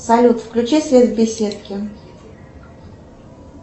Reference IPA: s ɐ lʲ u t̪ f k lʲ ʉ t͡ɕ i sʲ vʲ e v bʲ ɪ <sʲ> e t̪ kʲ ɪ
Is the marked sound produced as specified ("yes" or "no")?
yes